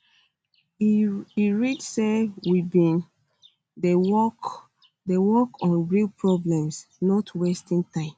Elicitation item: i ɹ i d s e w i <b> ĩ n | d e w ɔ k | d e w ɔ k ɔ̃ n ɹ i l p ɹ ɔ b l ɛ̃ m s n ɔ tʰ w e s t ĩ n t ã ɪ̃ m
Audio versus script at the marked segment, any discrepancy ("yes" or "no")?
no